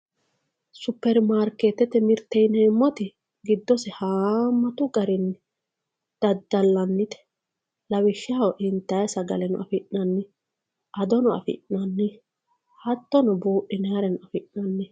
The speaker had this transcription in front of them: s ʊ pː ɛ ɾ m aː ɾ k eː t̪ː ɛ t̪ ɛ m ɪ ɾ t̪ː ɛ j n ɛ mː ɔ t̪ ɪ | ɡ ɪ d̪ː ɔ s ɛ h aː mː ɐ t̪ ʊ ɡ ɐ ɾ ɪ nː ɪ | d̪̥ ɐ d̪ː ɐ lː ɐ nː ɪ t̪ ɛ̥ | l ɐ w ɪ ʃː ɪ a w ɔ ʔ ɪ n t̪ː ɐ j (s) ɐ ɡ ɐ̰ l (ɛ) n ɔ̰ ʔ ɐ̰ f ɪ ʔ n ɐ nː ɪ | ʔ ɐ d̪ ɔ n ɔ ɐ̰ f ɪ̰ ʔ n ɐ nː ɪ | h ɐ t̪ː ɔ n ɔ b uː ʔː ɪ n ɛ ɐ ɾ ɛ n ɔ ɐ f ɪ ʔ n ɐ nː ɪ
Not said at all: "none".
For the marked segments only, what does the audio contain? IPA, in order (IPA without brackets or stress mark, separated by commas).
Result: s, ɛ